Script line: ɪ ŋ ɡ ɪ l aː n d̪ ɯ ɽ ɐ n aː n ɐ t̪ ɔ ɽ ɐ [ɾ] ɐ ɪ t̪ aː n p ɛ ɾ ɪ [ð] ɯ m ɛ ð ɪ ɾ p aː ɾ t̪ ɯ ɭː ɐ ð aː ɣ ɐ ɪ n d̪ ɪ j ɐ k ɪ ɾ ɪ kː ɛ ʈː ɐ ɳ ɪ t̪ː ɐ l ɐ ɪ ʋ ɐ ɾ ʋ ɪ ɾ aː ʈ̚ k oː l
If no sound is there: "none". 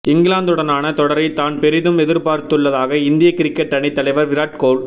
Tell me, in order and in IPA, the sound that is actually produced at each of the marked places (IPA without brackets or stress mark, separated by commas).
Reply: ɾ, ð